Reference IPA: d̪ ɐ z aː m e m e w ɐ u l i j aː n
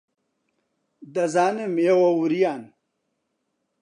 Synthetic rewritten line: d̪ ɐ z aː n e m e w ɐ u ɾ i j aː n